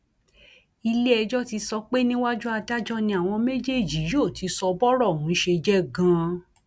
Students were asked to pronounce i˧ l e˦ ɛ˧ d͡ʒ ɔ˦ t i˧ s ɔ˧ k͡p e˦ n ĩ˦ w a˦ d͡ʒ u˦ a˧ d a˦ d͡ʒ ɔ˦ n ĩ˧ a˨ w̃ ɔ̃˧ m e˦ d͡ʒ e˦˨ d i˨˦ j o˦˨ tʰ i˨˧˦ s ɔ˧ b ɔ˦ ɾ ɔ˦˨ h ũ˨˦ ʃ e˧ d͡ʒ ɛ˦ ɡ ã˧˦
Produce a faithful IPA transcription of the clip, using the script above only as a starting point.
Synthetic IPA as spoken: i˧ l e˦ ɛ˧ d͡ʒ ɔ˦ t i˧ s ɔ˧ k͡p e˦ n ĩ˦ w a˦ d͡ʒ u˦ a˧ d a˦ d͡ʒ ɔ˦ n ĩ˧ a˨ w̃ ɔ̃˧ m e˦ d͡ʒ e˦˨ d͡ʒ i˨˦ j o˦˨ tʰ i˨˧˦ s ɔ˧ b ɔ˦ ɾ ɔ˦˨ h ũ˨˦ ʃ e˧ d͡ʒ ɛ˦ ɡ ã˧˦

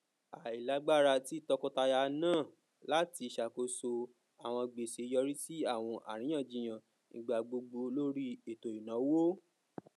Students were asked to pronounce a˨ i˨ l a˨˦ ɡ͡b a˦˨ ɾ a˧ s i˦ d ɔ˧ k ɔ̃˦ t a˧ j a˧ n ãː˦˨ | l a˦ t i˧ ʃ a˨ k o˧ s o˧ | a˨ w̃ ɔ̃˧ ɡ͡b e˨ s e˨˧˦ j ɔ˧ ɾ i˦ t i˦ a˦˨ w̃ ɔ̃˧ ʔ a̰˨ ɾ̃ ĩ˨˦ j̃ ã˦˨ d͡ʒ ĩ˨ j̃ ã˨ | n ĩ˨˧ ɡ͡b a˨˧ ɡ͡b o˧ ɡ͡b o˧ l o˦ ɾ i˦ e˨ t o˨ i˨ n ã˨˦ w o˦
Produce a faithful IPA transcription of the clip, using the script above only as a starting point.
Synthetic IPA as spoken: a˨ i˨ l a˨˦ ɡ͡b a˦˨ ɾ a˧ t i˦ t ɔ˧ k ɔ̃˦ t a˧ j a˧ n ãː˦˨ | l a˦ t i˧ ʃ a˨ k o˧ s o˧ | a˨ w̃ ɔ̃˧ ɡ͡b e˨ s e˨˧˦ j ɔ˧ ɾ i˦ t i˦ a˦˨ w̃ ɔ̃˧ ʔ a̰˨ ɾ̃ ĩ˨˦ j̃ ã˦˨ d͡ʒ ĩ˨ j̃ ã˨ | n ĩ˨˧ ɡ͡b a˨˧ ɡ͡b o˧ ɡ͡b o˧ l o˦ ɾ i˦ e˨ t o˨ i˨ n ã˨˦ w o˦

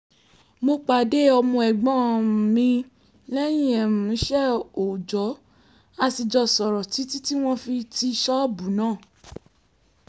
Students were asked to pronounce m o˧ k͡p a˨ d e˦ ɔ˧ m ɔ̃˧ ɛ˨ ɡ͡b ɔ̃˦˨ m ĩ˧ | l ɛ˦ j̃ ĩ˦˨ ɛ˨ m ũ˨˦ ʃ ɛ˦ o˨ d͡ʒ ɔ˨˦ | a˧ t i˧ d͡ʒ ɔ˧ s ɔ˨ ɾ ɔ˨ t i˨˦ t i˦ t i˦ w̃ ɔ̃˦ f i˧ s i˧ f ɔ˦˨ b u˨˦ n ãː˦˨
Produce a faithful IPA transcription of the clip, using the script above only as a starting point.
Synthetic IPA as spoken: m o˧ k͡p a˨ d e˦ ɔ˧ m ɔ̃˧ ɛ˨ ɡ͡b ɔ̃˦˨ m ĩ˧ | l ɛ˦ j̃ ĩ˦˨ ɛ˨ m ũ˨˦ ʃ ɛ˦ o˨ d͡ʒ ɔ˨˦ | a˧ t i˧ d͡ʒ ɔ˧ s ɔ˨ ɾ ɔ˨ t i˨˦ t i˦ t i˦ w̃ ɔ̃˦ f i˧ t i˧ ʃ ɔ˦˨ b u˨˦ n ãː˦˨

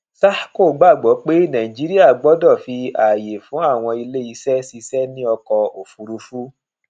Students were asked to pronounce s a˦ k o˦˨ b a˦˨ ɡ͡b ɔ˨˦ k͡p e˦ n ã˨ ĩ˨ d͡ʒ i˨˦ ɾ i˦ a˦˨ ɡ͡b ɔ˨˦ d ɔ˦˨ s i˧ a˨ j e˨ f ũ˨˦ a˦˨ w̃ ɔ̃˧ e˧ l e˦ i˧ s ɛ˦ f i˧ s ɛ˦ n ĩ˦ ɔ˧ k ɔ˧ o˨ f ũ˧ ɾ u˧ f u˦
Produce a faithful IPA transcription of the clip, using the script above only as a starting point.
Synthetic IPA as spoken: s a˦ k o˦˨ ɡ͡b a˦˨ ɡ͡b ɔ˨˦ k͡p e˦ n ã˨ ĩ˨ d͡ʒ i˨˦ ɾ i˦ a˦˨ ɡ͡b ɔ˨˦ d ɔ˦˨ f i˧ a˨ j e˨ f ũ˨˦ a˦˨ w̃ ɔ̃˧ i˧ l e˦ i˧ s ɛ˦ s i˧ s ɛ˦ n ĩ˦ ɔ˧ k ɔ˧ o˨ f u˧ ɾ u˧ f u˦

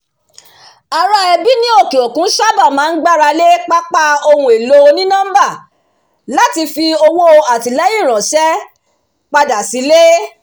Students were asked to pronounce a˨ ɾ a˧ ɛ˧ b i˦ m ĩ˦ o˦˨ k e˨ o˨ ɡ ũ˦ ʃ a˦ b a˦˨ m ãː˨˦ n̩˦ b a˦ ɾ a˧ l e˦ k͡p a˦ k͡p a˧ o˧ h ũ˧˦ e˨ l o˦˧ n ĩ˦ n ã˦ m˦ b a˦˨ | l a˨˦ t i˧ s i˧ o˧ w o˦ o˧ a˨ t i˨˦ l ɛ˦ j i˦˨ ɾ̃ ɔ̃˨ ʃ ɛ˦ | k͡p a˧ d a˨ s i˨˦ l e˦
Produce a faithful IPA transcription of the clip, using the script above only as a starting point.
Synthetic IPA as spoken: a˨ ɾ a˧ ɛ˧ b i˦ n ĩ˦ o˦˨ k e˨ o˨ k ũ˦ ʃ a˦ b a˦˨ m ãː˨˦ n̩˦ ɡ͡b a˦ ɾ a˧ l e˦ k͡p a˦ k͡p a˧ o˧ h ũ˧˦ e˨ l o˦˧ n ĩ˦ n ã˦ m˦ b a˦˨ | l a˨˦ t i˧ f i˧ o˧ w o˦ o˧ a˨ t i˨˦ l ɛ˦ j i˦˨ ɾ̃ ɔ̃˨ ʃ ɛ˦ | k͡p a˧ d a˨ s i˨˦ l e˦

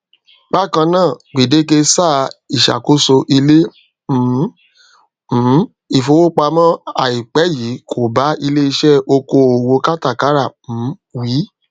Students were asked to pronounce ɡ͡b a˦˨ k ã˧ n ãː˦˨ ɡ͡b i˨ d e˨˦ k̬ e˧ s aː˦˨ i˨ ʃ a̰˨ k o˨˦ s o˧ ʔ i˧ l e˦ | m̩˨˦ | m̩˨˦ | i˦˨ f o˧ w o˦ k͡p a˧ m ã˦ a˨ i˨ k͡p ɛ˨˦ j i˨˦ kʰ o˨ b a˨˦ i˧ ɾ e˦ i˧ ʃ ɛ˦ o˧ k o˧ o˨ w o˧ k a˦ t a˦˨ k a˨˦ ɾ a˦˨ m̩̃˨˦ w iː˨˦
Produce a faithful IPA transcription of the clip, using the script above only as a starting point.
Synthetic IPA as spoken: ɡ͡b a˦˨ k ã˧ n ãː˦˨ ɡ͡b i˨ d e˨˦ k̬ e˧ s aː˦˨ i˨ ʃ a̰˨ k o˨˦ s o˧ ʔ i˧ l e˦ | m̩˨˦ | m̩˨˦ | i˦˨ f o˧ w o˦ k͡p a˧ m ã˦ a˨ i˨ k͡p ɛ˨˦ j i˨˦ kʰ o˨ b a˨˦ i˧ l e˦ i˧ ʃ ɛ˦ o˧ k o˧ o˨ w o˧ k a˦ t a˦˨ k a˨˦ ɾ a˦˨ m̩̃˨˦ w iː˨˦

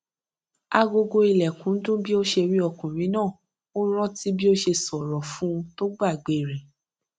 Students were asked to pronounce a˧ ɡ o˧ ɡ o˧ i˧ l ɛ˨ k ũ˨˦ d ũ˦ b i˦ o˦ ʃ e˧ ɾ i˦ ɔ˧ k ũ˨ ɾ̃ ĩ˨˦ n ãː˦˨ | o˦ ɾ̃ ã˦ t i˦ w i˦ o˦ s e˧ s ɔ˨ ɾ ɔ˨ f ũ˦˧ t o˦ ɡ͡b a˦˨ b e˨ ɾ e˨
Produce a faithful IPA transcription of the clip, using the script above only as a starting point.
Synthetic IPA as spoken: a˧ ɡ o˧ ɡ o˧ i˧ l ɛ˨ k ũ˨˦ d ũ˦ b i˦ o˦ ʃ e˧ ɾ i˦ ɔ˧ k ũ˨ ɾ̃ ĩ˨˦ n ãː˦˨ | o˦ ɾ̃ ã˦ t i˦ b i˦ o˦ ʃ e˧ s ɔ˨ ɾ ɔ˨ f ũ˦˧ t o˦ ɡ͡b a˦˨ ɡ͡b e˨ ɾ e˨

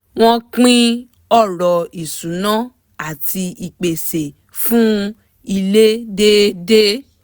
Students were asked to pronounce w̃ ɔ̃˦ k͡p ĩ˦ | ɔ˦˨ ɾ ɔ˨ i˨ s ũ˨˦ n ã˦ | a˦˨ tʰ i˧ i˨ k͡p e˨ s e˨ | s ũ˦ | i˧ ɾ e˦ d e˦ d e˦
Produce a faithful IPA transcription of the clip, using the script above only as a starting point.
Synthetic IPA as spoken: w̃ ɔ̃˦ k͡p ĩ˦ | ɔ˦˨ ɾ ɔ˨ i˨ s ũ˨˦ n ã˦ | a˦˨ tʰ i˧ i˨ k͡p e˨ s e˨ | f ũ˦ | i˧ l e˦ d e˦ d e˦

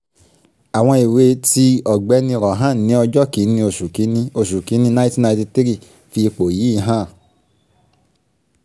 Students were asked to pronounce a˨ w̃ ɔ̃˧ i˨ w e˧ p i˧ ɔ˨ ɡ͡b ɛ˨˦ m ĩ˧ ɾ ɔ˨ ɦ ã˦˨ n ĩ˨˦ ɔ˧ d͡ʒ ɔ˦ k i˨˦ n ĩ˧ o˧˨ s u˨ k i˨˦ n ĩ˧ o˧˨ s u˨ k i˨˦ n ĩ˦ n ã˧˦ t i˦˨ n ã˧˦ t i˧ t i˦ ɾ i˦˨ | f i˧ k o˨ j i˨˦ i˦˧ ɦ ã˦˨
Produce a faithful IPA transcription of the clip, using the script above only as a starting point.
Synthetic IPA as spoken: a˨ w̃ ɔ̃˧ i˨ w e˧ t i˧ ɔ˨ ɡ͡b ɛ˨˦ n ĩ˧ ɾ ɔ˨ ɦ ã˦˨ n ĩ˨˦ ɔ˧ d͡ʒ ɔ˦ k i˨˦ n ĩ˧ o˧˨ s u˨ k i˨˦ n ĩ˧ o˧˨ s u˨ k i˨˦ n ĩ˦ n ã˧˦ t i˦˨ n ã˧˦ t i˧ t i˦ ɾ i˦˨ | f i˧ k͡p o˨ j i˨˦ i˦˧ ɦ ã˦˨

